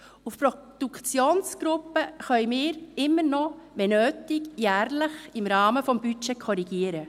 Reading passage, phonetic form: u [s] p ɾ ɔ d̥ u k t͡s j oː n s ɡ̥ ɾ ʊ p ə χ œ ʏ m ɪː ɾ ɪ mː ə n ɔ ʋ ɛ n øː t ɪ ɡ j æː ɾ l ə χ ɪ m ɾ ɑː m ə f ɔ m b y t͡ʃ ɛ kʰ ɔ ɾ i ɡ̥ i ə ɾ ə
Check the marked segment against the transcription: incorrect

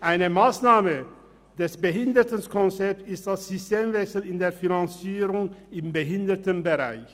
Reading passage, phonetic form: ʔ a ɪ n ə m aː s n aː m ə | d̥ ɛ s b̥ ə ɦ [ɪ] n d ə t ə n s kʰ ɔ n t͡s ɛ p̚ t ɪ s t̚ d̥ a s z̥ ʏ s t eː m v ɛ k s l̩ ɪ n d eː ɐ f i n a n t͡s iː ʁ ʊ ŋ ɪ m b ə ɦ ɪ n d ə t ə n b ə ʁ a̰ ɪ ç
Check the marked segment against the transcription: correct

